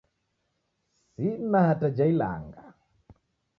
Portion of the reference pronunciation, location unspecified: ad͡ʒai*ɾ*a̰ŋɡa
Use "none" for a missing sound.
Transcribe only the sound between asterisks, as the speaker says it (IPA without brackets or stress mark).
l